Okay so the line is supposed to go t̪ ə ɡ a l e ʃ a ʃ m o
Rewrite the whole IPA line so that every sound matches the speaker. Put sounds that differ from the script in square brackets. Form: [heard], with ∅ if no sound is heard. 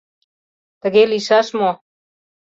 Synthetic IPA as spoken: t̪ ə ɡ [e] l [i] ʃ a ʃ m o